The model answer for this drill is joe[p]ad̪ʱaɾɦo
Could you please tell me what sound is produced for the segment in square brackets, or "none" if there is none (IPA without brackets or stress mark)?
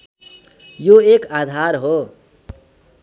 k